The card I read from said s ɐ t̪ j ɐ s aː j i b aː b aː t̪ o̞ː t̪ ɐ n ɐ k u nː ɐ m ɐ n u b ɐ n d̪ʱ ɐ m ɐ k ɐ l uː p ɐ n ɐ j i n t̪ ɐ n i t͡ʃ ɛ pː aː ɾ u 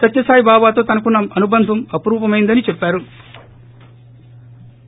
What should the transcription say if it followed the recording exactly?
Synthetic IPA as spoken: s ɐ t̪ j ɐ s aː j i b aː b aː t̪ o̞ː t̪ ɐ n ɐ k u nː ɐ m ɐ n u b ɐ n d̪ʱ ɐ m ɐ p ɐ ɾ uː p ɐ m ɐ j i n d̪ ɐ n i t͡ʃ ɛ pː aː ɾ u